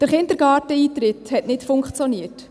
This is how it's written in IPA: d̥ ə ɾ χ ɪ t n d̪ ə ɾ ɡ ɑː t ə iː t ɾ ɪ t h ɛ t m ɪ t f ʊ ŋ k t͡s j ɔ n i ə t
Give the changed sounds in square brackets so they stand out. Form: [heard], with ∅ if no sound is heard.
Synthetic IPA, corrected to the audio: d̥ ə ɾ χ ɪ [∅] n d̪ ə ɾ ɡ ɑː t ə iː t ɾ ɪ t h ɛ t [n] ɪ t f ʊ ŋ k t͡s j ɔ n i ə t